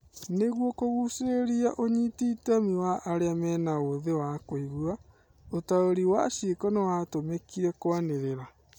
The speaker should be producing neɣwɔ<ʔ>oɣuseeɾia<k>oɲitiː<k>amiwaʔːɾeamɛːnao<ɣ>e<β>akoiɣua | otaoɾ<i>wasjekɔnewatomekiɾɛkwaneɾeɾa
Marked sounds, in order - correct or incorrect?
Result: incorrect: k, incorrect: ʔ, incorrect: t, incorrect: ð, incorrect: w, correct

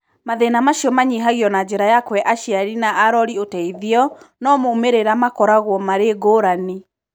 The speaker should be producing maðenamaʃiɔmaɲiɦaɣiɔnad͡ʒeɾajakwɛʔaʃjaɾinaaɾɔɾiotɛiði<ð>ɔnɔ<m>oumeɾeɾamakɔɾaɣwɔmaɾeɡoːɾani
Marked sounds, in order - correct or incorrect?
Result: incorrect: none, correct

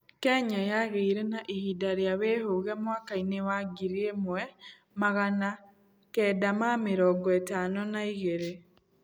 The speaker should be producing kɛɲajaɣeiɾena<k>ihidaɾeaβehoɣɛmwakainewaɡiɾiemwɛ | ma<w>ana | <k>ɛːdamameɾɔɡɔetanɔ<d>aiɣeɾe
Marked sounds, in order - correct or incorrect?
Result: incorrect: ʔ, incorrect: ɣ, correct, incorrect: n

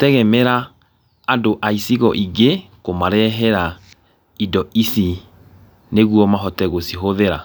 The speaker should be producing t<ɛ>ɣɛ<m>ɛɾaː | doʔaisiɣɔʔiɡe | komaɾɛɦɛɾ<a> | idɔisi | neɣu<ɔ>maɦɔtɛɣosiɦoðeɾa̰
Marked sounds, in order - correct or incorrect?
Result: correct, correct, correct, correct

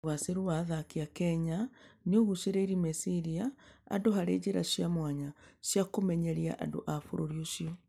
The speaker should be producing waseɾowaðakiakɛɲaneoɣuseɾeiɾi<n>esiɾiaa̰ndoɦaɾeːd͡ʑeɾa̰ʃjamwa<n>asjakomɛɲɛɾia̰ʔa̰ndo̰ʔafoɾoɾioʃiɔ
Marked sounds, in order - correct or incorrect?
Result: incorrect: m, incorrect: ɲ

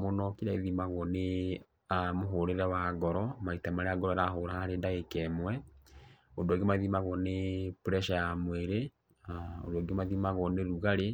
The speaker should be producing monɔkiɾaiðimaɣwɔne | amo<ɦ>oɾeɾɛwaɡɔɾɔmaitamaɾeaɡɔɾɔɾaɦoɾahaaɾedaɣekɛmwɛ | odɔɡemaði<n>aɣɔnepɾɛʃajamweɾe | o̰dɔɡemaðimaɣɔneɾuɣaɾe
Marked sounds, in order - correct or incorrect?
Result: correct, incorrect: m

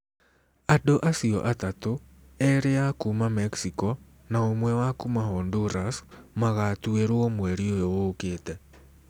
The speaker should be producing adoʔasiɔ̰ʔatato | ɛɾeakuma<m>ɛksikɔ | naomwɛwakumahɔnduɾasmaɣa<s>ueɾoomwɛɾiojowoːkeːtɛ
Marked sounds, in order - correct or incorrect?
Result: correct, incorrect: t

